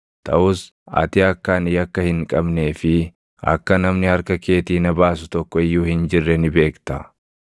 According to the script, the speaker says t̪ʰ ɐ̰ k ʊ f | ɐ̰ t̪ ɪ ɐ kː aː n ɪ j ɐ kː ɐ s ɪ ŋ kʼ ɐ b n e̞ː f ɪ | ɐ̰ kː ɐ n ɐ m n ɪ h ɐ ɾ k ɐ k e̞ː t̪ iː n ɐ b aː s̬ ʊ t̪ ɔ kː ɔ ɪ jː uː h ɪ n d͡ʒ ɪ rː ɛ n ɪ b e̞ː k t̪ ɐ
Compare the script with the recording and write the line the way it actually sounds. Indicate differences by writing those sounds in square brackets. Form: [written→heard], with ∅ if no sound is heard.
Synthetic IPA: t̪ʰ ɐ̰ [k→ʔ] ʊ [f→s] | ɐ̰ t̪ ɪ ɐ kː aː n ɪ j ɐ kː ɐ [s→h] ɪ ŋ kʼ ɐ b n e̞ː f ɪ | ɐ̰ kː ɐ n ɐ m n ɪ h ɐ ɾ k ɐ k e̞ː t̪ iː n ɐ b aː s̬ ʊ t̪ ɔ kː ɔ ɪ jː uː h ɪ n d͡ʒ ɪ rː ɛ n ɪ b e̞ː k t̪ ɐ